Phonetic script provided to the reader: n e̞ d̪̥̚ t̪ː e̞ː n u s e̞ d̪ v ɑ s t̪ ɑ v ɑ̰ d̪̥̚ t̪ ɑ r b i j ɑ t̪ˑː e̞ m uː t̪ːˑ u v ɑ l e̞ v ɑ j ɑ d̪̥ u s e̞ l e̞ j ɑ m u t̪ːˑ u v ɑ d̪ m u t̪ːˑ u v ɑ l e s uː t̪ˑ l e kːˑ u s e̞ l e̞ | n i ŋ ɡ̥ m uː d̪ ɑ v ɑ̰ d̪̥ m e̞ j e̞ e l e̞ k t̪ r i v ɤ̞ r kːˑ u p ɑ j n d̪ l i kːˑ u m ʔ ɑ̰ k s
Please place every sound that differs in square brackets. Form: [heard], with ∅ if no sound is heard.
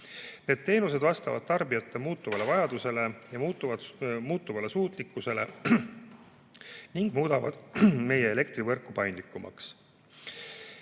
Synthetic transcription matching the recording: n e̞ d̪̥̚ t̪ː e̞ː n u s e̞ d̪ v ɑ s t̪ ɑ v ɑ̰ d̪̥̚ t̪ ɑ r b i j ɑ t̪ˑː e̞ m uː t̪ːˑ u v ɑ l e̞ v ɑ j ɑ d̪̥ u s e̞ l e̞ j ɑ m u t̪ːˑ u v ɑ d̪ m [uː] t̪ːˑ u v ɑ l e s uː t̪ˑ l [i] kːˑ u s e̞ l e̞ | n i ŋ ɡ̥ m uː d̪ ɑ v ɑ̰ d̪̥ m e̞ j e̞ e l e̞ k t̪ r i v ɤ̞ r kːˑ u p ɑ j n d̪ l i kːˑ u m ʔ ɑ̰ k s